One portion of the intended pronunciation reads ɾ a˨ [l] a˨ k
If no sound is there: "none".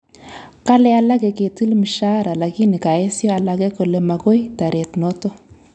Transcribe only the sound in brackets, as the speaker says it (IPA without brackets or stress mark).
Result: l